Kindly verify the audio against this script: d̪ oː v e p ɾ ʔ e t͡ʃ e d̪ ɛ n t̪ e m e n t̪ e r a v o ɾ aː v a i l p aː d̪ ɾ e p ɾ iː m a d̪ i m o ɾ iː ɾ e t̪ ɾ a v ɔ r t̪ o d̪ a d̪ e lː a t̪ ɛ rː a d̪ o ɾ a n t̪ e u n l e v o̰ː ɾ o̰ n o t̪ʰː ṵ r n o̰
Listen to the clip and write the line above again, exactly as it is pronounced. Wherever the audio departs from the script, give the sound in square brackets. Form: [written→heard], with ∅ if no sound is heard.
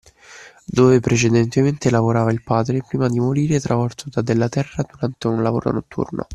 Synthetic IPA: d̪ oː v e p ɾ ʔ e t͡ʃ e d̪ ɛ n t̪ e m e n t̪ e [r→l] a v o ɾ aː v a i l p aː d̪ ɾ e p ɾ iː m a d̪ i m o ɾ iː ɾ e t̪ ɾ a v ɔ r t̪ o d̪ a d̪ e lː a t̪ ɛ rː a d̪ [o→u] ɾ a n t̪ e u n l [e→a] v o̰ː ɾ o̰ n o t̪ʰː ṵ r n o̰